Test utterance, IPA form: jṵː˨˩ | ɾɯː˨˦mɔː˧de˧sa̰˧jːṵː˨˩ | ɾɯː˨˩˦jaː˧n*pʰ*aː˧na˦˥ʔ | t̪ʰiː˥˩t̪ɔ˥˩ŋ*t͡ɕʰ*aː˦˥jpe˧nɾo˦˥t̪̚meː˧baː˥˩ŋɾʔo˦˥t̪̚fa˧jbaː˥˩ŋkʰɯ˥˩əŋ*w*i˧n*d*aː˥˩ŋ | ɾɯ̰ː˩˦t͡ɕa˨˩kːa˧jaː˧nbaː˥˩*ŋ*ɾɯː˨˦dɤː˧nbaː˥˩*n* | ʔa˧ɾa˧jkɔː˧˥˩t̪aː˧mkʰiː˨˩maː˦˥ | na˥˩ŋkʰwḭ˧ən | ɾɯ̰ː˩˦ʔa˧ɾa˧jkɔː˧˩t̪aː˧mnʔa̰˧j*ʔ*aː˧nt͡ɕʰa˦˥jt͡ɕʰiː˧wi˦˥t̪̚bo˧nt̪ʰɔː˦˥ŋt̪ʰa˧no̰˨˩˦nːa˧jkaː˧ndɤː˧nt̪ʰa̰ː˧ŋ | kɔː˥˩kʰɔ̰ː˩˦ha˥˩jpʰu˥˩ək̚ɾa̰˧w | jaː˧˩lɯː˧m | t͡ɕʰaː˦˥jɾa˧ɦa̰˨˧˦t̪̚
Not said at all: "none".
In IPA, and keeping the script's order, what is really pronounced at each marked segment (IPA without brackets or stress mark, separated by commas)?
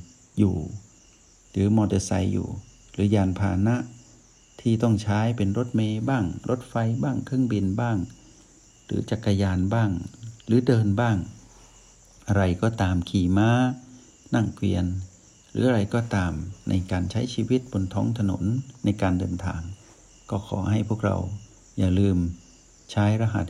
pʰ, t͡ɕʰ, b, b, ŋ, ŋ, k